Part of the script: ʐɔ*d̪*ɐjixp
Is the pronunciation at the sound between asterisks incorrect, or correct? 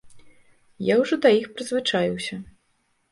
correct